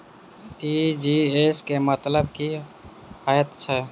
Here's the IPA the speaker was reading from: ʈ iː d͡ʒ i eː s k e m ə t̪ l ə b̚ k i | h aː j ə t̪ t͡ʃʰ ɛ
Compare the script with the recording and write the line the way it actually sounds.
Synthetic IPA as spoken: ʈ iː d͡ʒ i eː s k e m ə t̪ l ə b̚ k i | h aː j ə t̪ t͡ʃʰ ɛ

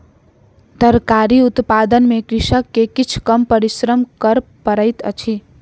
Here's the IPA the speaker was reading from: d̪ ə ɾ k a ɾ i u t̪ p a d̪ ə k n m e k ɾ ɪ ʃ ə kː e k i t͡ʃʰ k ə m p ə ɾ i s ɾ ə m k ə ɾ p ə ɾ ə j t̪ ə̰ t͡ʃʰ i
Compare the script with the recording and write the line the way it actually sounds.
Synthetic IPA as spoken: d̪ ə ɾ k a ɾ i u t̪ p a d̪ ə n m e k ɾ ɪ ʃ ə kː e k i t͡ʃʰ k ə m p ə ɾ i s ɾ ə m k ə ɾ p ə ɾ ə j t̪ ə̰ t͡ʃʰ i

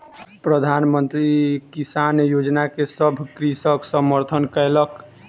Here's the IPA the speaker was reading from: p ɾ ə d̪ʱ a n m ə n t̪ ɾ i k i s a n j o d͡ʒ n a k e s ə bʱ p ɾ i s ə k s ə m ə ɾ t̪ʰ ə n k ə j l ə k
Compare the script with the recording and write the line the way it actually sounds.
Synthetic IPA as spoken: p ɾ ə d̪ʱ a n m ə n t̪ ɾ i k i s a n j o d͡ʒ n a k e s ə bʱ k ɾ i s ə k s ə m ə ɾ t̪ʰ ə n k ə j l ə k

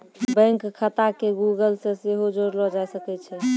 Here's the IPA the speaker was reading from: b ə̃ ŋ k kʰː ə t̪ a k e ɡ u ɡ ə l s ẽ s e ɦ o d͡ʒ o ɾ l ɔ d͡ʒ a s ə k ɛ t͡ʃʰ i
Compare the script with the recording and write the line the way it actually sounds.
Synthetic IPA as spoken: b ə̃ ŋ k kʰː ə t̪ a k e ɡ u ɡ ə l s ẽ s e ɦ o d͡ʒ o ɾ l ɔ d͡ʒ a s ə k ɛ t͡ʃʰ ɛ

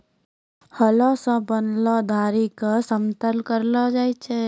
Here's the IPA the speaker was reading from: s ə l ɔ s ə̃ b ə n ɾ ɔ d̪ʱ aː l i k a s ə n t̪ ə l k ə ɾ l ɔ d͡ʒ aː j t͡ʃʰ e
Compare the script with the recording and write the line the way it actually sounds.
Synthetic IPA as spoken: h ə l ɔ s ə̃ b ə n l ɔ d̪ʱ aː ɾ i k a s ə m t̪ ə l k ə ɾ l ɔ d͡ʒ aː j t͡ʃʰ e

